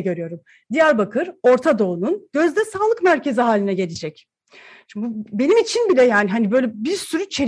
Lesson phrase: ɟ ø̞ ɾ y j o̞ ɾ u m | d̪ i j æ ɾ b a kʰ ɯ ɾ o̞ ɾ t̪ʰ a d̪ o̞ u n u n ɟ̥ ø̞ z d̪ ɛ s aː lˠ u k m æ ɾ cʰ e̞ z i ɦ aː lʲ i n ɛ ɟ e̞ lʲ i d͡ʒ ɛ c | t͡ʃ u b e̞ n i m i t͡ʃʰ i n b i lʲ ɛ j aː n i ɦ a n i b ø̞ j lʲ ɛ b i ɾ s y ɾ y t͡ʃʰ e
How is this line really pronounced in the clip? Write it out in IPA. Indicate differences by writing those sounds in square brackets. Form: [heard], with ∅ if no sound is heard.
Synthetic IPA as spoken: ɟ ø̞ ɾ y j o̞ ɾ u m | d̪ i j æ ɾ b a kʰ ɯ ɾ o̞ ɾ t̪ʰ a d̪ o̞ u n u n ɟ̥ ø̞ z d̪ ɛ s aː lˠ [ɯ] k m æ ɾ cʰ e̞ z i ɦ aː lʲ i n ɛ ɟ e̞ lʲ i d͡ʒ ɛ c | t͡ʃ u b e̞ n i m i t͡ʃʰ i n b i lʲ ɛ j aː n i ɦ a n i b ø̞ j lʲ ɛ b i ɾ s y ɾ y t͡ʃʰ e